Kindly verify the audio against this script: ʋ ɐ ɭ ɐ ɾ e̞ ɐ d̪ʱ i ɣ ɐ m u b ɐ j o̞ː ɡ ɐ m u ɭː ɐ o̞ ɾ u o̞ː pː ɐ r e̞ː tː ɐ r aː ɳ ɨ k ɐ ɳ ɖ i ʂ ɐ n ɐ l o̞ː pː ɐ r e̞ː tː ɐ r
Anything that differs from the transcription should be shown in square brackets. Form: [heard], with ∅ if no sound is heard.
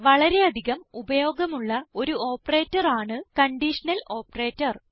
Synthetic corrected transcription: ʋ ɐ ɭ ɐ ɾ e̞ ɐ d̪ʱ i ɣ ɐ m u b ɐ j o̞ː ɡ ɐ m u ɭː ɐ o̞ ɾ u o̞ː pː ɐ r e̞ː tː ɐ r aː ɳ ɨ k ɐ ɳ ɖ i ʂ ɐ n ɐ l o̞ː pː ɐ r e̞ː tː ɐ r